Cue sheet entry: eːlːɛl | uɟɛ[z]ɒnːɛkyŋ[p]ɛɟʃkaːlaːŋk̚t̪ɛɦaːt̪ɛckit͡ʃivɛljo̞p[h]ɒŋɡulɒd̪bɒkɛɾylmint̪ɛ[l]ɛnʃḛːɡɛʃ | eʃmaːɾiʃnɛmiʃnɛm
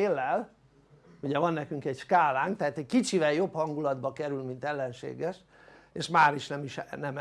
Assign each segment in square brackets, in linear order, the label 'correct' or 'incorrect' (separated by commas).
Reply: incorrect, incorrect, correct, incorrect